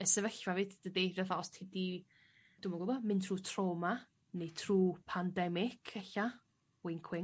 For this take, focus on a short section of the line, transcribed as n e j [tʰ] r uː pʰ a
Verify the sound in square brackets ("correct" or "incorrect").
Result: correct